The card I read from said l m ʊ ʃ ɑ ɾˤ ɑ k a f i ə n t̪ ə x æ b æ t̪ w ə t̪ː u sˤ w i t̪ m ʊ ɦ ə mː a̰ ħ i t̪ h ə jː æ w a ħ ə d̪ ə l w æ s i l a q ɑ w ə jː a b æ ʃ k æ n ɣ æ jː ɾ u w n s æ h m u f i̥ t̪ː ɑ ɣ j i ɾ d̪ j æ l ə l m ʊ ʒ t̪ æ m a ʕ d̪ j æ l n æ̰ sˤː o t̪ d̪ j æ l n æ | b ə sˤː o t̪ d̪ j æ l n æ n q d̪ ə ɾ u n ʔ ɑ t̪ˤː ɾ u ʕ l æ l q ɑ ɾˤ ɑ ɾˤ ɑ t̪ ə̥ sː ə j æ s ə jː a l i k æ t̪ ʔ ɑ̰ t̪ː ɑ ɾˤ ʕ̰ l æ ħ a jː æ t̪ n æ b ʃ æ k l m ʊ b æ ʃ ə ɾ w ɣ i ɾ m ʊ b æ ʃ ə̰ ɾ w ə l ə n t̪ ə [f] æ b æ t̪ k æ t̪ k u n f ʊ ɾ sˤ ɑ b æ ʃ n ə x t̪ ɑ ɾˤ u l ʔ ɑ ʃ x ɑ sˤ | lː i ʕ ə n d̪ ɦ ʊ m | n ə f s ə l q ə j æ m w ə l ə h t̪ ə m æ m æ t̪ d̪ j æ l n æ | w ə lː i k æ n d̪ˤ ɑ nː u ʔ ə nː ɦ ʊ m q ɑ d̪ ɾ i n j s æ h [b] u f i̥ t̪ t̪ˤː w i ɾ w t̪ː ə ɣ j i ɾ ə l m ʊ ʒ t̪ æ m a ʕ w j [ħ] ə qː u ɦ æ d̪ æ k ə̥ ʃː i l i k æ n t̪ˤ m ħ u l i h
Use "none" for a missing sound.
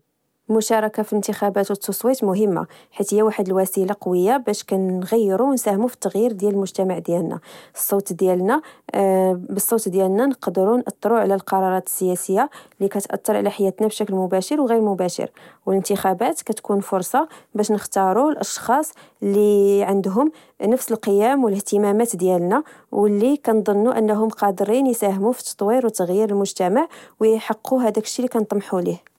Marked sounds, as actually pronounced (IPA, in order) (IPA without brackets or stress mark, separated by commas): x, m, ħ